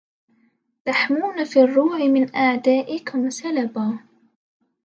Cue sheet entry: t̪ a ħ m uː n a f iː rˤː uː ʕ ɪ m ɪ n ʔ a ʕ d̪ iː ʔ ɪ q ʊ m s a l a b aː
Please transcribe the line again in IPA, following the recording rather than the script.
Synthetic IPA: t̪ a ħ m uː n a f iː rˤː uː ʕ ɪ m ɪ n ʔ a ʕ d̪ aː ʔ ɪ k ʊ m s a l a b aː